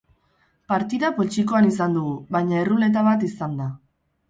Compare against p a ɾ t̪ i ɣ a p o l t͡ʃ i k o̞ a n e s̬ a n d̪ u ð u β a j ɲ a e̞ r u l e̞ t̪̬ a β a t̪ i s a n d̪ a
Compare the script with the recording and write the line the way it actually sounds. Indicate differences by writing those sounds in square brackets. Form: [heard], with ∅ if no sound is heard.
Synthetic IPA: p a ɾ t̪ i [ð] a p o l t͡ʃ i k o̞ a n [i] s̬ a n d̪ u [ɣ] u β a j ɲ a e̞ r u l e̞ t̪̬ a β a t̪ i s a n d̪ a